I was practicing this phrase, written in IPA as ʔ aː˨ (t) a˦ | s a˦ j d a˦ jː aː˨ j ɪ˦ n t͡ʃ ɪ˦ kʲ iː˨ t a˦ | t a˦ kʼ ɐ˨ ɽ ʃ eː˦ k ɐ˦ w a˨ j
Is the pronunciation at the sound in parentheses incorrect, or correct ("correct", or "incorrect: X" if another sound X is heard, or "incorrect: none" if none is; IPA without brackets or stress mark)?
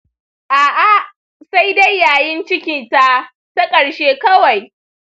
incorrect: ʔ